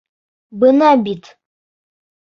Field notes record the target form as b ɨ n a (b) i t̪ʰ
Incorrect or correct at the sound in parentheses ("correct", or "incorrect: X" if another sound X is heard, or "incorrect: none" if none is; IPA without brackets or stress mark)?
correct